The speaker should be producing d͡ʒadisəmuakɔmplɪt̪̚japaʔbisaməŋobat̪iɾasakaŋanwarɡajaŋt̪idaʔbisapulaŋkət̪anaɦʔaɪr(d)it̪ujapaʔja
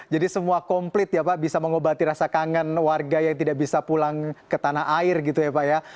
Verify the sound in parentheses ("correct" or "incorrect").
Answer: incorrect